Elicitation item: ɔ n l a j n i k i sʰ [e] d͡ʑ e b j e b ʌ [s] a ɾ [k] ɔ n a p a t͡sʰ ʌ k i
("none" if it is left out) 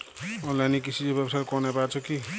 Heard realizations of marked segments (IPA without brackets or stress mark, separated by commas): i, s, k